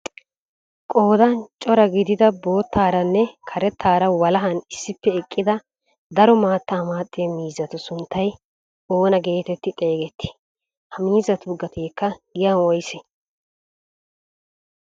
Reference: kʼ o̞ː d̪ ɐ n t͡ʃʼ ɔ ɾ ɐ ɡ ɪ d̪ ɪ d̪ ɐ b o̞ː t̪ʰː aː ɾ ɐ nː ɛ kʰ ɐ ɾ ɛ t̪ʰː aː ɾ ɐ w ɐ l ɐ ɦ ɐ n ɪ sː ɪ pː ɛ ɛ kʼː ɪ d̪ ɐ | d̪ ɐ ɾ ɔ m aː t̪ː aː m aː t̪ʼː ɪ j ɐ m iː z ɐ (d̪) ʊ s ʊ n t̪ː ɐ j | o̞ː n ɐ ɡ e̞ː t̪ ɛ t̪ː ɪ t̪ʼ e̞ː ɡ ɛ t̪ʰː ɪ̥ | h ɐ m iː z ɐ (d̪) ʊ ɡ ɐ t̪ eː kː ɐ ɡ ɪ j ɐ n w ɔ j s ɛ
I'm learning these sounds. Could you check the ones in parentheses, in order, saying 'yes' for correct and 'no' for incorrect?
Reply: no, no

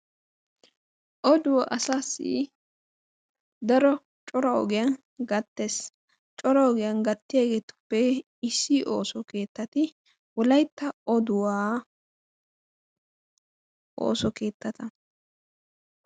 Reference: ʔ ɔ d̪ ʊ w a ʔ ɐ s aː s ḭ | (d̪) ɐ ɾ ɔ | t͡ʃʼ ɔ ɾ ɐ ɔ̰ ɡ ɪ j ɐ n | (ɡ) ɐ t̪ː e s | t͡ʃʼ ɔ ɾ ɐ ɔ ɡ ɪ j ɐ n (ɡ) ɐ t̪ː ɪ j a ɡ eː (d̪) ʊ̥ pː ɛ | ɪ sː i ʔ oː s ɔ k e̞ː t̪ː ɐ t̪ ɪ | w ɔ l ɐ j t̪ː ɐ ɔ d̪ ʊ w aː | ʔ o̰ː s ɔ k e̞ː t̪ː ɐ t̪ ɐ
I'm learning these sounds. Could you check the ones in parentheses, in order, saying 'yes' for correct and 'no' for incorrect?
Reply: yes, yes, yes, no

